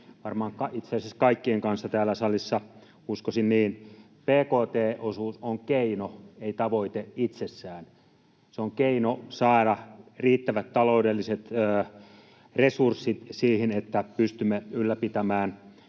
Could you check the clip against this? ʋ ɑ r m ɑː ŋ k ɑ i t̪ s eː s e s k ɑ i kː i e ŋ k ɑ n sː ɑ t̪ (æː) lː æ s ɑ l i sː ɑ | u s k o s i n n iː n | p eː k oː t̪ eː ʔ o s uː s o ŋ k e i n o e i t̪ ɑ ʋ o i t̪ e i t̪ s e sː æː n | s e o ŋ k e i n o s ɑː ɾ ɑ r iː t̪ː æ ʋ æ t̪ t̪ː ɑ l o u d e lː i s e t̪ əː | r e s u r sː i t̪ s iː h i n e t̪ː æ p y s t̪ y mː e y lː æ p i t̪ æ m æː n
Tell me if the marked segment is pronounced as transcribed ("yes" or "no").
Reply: yes